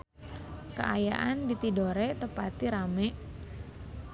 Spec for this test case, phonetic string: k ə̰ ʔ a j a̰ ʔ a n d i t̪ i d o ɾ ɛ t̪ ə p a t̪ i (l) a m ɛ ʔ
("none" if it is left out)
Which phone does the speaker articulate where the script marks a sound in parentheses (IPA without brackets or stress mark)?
ɾ